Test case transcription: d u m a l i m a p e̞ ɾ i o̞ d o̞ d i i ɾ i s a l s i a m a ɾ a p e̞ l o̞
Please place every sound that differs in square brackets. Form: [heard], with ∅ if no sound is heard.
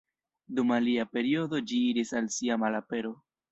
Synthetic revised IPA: d u m a l i [∅] a p e̞ ɾ i o̞ d o̞ [d͡ʒ] i i ɾ i s a l s i a m a [l] a p e̞ [ɾ] o̞